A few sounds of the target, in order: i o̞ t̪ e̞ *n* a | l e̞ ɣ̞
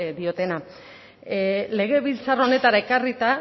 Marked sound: correct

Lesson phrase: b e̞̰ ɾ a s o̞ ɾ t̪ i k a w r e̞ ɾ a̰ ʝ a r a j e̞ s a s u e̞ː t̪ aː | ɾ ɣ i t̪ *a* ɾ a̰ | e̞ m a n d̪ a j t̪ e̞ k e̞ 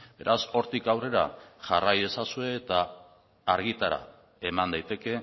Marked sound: correct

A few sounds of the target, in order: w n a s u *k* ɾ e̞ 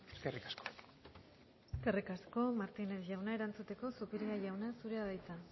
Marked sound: incorrect: none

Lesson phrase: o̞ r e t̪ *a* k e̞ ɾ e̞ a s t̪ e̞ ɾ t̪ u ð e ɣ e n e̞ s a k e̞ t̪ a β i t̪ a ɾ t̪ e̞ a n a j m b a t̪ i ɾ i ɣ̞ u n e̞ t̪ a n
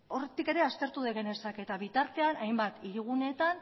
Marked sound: incorrect: i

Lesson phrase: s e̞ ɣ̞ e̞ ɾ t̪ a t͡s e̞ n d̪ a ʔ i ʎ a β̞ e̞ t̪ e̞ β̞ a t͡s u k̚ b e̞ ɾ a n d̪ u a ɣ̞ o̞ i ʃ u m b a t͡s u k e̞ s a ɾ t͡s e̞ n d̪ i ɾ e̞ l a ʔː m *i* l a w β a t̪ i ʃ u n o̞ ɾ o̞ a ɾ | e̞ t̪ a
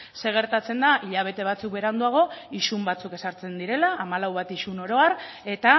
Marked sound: incorrect: a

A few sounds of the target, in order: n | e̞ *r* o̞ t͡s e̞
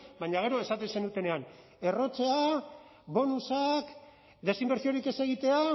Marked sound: correct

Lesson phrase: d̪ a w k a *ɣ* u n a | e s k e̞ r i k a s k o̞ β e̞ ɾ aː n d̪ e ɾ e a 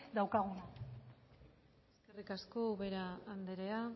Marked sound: correct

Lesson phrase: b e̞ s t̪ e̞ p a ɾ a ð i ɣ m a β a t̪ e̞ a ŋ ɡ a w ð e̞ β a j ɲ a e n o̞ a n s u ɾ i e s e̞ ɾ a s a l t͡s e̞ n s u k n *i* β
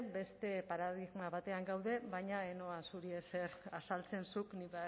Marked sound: correct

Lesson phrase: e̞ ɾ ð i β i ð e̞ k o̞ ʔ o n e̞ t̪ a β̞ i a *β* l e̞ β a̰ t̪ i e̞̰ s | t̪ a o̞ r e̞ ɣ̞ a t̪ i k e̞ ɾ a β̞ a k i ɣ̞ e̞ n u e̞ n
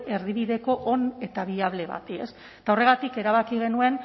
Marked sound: correct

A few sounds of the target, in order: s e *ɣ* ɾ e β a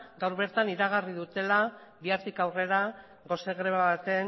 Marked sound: correct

